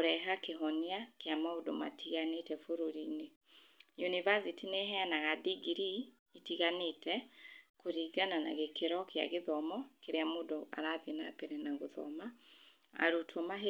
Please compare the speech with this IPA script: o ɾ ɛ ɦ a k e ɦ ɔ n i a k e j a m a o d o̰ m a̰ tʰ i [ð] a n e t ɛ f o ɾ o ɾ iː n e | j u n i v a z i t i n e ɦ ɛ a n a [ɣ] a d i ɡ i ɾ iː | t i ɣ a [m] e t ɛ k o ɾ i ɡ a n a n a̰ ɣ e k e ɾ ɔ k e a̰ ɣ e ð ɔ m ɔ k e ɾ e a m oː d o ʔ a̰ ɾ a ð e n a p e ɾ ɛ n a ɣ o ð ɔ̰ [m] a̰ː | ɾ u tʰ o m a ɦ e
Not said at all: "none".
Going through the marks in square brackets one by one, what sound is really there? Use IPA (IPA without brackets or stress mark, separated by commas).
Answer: ɣ, ɣ, n, m